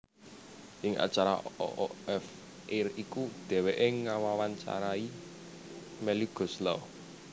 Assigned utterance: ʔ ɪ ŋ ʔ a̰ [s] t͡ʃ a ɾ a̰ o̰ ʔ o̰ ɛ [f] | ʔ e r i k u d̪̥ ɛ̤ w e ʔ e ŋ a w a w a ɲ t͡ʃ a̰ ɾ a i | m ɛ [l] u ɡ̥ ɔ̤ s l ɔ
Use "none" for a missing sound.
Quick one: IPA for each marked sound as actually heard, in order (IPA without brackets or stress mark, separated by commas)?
none, f, l